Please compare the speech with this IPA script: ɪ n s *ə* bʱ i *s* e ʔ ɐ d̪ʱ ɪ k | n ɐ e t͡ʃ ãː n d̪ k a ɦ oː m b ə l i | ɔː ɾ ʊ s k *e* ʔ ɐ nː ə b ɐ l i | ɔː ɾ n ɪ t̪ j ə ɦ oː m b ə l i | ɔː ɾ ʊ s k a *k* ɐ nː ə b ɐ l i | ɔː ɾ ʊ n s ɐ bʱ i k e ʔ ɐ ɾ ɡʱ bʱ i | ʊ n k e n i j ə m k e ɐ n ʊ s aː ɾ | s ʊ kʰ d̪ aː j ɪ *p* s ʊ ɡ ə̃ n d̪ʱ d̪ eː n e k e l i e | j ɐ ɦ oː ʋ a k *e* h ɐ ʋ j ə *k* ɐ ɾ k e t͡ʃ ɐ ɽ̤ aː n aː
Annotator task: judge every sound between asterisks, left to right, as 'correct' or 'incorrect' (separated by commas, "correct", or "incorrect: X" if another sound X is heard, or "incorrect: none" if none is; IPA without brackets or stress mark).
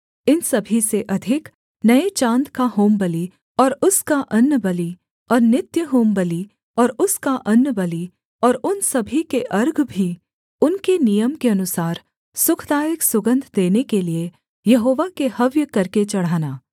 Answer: incorrect: ɐ, correct, incorrect: a, incorrect: ʔ, incorrect: k, correct, correct